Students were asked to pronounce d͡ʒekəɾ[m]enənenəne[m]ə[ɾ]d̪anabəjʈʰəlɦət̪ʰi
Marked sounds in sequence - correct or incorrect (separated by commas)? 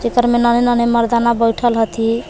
correct, correct, correct